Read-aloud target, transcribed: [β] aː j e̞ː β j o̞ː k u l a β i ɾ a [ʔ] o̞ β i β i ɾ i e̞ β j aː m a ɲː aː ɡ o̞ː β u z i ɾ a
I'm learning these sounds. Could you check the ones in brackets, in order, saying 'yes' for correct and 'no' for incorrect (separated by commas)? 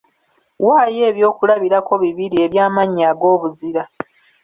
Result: no, no